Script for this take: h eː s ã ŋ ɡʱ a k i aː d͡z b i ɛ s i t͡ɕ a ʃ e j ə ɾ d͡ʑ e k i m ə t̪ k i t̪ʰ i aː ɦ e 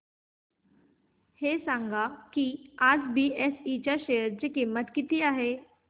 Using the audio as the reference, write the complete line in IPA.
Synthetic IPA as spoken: h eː s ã ŋ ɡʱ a k i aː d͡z b i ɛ s i t͡ɕ a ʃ e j ə ɾ d͡ʑ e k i m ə t̪ k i t̪ i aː ɦ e